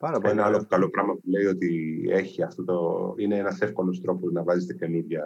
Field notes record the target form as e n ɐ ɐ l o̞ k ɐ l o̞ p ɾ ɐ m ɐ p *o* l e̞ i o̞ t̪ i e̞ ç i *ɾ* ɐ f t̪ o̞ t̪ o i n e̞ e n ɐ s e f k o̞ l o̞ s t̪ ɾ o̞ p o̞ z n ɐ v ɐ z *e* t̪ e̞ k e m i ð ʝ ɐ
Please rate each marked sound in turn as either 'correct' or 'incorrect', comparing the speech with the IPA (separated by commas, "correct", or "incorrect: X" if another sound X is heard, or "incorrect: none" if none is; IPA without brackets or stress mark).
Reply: incorrect: u, incorrect: none, correct